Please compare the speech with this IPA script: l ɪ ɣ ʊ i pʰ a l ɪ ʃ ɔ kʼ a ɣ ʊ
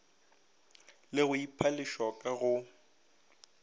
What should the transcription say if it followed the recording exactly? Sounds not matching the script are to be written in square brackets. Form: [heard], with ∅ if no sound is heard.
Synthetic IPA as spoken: l ɪ ɣ ʊ i pʰ a l ɪ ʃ ɔ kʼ a ɣ ʊ